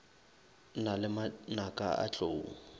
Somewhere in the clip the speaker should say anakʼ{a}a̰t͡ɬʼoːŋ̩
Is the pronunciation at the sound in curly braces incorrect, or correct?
correct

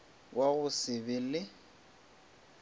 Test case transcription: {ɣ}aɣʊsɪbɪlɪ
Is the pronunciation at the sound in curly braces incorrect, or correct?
incorrect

